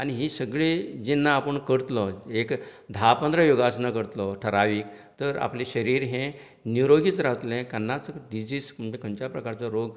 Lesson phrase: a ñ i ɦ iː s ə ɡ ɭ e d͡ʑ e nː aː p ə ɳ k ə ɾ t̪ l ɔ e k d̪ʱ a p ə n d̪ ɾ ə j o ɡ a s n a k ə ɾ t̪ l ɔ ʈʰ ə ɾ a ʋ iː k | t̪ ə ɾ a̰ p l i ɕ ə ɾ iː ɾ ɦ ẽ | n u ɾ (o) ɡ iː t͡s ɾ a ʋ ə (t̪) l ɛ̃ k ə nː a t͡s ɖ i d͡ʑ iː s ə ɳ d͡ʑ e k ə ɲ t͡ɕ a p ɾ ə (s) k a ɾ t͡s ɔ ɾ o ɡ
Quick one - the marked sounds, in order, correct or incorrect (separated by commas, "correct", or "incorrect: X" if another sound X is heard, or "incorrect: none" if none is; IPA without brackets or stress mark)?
correct, correct, incorrect: none